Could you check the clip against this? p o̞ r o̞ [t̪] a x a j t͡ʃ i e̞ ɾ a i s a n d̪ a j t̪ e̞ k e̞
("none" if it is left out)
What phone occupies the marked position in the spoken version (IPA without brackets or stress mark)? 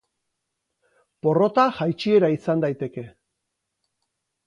t̪